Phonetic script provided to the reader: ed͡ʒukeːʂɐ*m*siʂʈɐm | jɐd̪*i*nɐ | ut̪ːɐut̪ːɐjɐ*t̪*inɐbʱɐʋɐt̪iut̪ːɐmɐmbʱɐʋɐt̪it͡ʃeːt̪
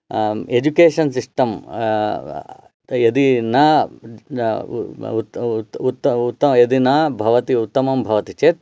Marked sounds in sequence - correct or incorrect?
incorrect: n, correct, incorrect: d̪

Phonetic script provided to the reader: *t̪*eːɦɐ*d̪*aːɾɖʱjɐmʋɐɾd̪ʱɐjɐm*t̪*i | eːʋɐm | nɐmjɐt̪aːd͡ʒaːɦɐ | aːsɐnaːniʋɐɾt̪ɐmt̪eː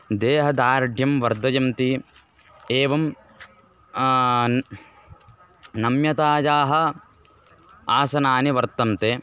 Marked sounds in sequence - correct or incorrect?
incorrect: d̪, correct, correct

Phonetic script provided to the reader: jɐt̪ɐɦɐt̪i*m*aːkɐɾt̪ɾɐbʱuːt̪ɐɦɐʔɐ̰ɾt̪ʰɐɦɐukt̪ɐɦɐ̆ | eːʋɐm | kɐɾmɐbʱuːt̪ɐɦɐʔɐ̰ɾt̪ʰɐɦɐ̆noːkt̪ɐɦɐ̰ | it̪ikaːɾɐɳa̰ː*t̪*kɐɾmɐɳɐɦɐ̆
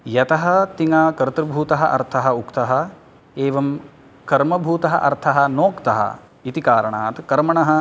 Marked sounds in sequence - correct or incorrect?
incorrect: ŋ, correct

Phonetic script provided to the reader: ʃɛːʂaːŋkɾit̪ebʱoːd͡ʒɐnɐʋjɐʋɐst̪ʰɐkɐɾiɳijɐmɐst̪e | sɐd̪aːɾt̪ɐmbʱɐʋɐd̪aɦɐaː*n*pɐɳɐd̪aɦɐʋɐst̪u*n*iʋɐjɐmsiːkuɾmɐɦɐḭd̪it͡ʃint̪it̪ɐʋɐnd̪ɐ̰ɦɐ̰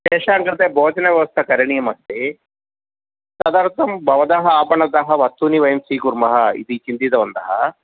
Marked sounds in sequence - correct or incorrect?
incorrect: none, correct

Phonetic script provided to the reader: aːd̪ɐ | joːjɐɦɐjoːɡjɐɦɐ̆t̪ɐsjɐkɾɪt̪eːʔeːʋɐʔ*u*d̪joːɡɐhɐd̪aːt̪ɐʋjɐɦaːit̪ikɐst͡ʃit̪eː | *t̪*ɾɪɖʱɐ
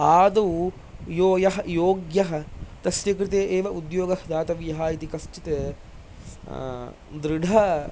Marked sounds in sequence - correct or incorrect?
correct, incorrect: d̪

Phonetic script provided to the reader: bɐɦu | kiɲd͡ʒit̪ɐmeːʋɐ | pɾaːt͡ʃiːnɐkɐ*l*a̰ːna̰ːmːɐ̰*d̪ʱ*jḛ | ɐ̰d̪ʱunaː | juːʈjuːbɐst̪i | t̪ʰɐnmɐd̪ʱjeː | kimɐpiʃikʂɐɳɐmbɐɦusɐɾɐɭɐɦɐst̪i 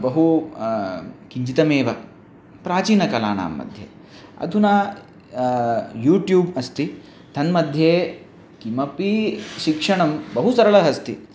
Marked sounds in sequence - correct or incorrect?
correct, correct

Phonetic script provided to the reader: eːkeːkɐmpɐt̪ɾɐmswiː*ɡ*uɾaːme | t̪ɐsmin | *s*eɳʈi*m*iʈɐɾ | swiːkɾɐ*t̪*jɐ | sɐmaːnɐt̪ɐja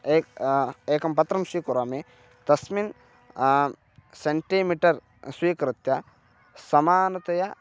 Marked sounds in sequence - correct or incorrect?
incorrect: k, correct, correct, correct

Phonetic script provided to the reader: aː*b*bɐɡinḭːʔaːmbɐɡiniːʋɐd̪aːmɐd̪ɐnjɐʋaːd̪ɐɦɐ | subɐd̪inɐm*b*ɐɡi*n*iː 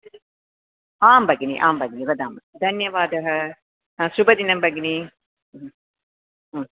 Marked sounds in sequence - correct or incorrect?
incorrect: m, correct, correct

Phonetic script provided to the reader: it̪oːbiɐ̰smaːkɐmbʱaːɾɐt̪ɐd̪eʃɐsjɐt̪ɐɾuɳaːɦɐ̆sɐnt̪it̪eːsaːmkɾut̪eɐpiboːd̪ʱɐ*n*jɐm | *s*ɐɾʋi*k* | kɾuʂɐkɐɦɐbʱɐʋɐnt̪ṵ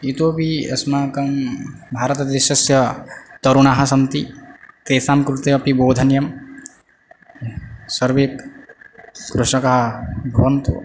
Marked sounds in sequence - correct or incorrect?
correct, correct, correct

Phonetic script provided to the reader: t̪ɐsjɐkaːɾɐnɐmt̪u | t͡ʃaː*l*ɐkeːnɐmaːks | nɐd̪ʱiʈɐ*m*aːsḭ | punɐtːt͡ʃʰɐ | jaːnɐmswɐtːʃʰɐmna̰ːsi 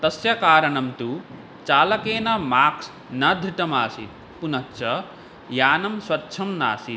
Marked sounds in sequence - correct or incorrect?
correct, correct

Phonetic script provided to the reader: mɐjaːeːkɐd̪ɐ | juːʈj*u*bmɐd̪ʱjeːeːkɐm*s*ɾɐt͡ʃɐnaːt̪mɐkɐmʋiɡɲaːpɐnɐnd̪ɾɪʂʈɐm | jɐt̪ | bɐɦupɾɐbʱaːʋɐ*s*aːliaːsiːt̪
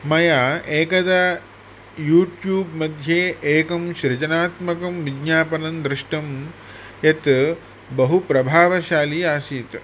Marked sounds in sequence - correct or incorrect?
incorrect: uː, incorrect: ʃ, incorrect: ʃ

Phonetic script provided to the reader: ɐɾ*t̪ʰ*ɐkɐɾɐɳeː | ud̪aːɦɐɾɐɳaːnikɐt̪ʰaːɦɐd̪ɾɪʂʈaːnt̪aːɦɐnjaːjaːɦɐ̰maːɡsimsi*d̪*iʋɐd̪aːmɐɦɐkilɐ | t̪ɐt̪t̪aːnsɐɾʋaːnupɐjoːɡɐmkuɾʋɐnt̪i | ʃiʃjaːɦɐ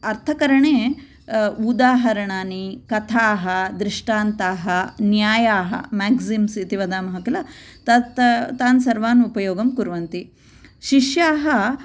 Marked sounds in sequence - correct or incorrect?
correct, incorrect: t̪

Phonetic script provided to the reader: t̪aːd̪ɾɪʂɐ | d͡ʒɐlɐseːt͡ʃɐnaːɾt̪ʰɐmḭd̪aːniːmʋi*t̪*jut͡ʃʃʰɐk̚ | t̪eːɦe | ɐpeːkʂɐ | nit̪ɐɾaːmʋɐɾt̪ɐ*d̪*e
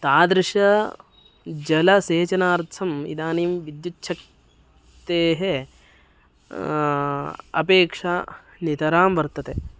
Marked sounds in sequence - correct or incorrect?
incorrect: d̪, incorrect: t̪

